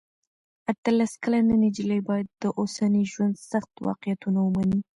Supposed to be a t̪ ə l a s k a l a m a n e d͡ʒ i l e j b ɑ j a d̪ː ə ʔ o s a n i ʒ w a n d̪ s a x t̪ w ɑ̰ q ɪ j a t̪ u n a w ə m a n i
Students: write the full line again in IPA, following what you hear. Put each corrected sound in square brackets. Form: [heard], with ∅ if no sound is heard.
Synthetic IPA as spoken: a t̪ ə l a s k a l a [n] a n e d͡ʒ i l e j b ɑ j a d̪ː ə ʔ o s a n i ʒ w a n d̪ s a x t̪ w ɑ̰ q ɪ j a t̪ u n a w ə m a n i